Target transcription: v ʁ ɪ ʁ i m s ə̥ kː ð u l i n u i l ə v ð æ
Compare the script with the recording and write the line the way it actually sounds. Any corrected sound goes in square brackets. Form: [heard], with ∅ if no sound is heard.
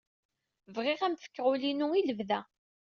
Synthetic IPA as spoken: v ʁ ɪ ʁ [æ] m [f] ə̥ kː [ʁ] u l i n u i l ə v ð æ